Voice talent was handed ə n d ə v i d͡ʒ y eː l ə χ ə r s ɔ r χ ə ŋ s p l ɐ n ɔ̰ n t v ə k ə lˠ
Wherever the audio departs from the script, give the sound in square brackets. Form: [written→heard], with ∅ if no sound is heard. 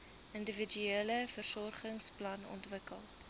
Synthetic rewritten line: ə n d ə v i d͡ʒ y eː l ə [χ→f] ə r s ɔ r χ ə ŋ s p l ɐ n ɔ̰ n t v ə k ə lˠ